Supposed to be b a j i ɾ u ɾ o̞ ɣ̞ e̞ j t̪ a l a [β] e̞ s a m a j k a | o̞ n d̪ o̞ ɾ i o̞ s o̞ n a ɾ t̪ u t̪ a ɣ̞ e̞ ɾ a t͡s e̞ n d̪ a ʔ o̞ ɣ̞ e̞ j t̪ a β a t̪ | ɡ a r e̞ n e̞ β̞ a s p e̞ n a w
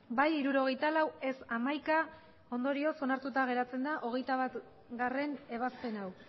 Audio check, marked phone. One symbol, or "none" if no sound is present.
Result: w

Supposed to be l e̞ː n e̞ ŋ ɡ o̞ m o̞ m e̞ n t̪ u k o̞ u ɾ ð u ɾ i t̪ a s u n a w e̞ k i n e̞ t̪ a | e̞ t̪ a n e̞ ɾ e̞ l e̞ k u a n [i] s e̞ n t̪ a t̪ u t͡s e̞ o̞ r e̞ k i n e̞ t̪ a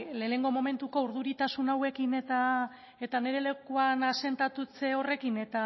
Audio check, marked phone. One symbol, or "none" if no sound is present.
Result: a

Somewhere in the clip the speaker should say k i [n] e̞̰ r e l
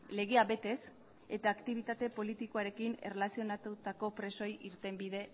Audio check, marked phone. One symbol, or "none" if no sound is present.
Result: n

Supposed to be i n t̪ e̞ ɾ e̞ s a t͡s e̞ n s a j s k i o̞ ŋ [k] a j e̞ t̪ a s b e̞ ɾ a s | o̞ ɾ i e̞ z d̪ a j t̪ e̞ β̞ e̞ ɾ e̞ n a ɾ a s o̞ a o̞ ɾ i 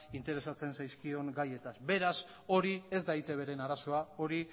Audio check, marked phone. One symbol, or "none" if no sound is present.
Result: ɡ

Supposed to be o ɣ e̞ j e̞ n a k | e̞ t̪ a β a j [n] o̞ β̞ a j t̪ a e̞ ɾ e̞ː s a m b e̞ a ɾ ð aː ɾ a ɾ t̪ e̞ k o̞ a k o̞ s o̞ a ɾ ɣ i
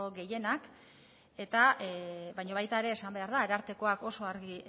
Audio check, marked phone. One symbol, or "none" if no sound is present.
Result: ɲ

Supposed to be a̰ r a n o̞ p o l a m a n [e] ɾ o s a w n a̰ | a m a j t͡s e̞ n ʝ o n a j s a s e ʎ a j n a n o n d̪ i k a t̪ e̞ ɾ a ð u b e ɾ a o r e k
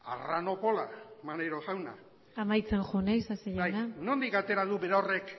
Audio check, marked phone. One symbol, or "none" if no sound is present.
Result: e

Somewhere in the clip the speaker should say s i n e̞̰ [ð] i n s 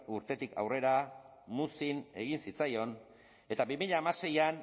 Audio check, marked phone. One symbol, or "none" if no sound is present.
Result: ɣ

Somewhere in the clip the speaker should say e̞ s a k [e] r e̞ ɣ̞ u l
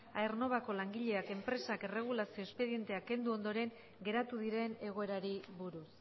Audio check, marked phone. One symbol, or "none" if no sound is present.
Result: e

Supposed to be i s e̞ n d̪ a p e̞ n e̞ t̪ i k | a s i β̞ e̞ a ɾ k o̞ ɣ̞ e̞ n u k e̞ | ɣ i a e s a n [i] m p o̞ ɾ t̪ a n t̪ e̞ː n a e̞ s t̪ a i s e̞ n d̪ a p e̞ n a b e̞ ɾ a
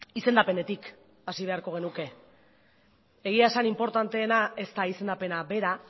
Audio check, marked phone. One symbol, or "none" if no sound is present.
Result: i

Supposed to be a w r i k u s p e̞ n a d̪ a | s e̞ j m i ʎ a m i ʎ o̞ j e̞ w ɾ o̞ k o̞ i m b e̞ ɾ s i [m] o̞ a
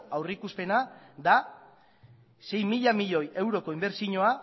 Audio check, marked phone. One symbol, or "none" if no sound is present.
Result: ɲ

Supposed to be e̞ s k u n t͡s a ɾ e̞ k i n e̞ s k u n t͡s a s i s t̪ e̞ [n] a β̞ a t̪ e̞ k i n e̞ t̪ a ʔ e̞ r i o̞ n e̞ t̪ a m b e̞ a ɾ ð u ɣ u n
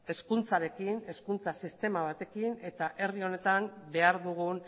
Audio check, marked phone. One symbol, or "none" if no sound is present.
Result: m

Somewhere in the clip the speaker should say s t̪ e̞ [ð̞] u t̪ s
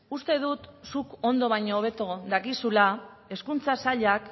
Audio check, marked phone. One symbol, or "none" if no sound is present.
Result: ð̞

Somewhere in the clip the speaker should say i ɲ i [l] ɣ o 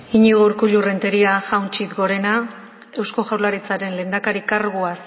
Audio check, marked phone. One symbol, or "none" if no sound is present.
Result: none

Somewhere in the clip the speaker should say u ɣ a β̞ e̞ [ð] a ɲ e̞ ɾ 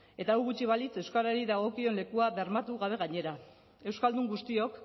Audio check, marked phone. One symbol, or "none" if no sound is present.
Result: ɣ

